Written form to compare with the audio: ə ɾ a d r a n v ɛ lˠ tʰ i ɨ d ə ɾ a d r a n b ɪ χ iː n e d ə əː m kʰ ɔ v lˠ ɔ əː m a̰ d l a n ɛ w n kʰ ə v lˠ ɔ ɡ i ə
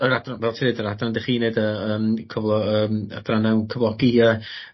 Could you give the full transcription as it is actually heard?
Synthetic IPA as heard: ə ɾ a d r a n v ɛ lˠ tʰ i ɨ d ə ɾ a d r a n d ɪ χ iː n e d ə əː m kʰ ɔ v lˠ ɔ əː m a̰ d r a n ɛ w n kʰ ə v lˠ ɔ ɡ i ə